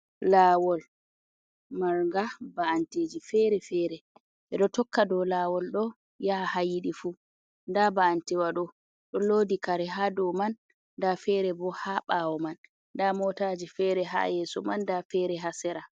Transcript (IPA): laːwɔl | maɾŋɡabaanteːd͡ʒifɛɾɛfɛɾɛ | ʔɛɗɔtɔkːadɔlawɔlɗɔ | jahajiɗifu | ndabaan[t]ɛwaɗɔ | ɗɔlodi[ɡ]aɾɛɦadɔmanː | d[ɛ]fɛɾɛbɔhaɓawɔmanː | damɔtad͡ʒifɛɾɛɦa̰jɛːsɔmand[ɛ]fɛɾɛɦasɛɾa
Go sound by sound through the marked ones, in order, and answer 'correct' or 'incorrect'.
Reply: correct, incorrect, incorrect, incorrect

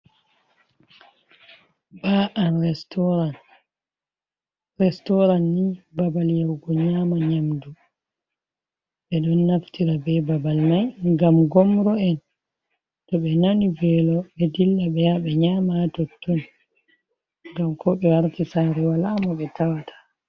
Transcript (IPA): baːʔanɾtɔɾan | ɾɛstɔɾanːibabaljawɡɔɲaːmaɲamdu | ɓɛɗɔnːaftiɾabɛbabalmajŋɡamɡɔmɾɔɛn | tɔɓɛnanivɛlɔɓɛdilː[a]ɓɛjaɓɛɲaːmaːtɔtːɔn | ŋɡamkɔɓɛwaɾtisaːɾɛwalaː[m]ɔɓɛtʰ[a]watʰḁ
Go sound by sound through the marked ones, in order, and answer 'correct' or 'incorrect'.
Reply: correct, correct, correct

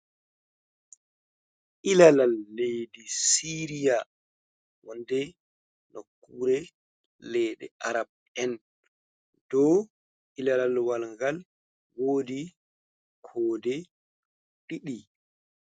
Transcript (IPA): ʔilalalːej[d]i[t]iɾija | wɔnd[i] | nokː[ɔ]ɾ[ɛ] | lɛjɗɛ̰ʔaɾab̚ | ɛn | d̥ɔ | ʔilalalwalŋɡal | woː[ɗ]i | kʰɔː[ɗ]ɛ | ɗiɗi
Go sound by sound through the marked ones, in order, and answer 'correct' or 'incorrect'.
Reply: correct, incorrect, incorrect, incorrect, correct, incorrect, incorrect

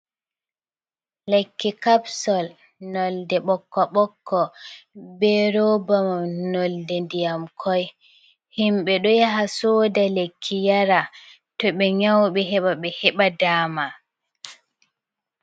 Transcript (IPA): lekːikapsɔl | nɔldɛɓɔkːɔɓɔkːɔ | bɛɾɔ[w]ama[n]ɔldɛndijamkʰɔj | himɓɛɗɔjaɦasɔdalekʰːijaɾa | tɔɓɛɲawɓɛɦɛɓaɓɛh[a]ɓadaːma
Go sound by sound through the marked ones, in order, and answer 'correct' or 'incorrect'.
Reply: incorrect, correct, incorrect

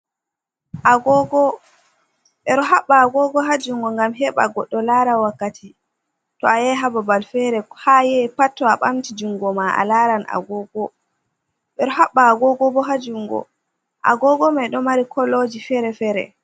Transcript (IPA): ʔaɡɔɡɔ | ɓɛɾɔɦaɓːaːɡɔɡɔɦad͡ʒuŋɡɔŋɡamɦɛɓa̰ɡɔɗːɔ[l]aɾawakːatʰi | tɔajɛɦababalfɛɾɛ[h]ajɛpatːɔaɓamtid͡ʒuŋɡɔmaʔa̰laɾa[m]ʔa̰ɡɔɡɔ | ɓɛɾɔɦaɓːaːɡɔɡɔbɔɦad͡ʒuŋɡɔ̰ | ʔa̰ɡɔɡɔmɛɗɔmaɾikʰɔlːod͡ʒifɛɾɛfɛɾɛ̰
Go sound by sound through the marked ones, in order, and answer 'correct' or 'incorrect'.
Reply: correct, correct, incorrect

